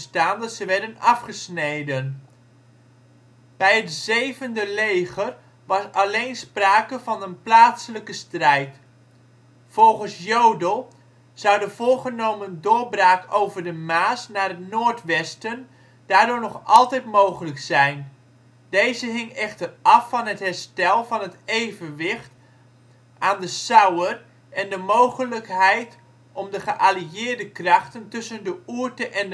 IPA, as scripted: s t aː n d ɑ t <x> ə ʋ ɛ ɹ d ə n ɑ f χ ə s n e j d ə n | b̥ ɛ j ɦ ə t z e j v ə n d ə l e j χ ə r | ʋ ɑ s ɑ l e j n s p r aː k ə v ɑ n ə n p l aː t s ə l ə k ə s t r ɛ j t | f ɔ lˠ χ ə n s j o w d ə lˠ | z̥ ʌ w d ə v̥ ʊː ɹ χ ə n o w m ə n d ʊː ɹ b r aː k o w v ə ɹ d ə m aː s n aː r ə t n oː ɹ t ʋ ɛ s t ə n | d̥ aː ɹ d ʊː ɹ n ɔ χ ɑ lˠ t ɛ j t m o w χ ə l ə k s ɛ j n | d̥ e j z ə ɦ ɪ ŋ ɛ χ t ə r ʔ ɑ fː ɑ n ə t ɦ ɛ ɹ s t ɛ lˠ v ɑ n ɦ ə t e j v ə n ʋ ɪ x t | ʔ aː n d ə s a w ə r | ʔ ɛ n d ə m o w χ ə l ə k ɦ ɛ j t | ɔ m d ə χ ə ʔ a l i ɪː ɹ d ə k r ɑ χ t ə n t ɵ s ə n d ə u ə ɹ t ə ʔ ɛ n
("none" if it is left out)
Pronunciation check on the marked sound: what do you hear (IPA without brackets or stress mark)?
s